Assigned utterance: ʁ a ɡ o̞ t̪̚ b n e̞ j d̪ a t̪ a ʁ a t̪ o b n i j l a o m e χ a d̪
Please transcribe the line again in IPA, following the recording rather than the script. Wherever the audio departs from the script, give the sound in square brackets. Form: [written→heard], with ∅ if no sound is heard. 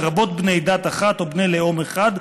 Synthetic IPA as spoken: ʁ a [ɡ→b] o̞ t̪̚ b n e̞ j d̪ a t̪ a [ʁ→χ] a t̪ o b n [i→e] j l [a→e] o m e χ a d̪